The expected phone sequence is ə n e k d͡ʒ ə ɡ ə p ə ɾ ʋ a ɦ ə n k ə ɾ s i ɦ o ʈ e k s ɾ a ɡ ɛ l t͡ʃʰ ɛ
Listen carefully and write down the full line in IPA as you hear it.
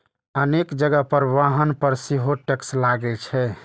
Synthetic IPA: ə n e k d͡ʒ ə ɡ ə p ə ɾ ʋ a ɦ ə n p ə ɾ s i ɦ o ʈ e k s l a ɡ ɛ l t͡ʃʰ ɛ